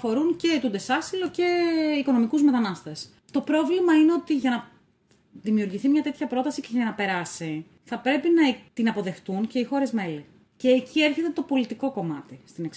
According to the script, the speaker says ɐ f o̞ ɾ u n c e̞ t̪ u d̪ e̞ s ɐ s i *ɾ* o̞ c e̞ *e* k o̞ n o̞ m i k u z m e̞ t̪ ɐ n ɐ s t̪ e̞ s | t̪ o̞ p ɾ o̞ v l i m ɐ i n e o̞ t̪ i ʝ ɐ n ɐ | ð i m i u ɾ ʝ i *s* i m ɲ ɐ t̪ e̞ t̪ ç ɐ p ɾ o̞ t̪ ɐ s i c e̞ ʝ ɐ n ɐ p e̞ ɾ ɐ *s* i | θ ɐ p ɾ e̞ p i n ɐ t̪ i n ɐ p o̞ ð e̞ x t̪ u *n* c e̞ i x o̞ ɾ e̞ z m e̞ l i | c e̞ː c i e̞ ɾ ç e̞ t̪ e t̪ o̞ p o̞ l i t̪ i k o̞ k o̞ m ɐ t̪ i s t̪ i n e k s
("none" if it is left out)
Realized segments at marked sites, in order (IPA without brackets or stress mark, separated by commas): l, i, θ, s, n